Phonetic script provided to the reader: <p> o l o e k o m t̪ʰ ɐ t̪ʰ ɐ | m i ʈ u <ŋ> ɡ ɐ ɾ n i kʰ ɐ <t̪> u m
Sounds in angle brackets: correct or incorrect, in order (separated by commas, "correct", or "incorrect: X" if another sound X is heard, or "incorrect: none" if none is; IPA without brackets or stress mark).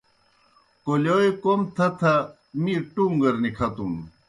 incorrect: k, correct, correct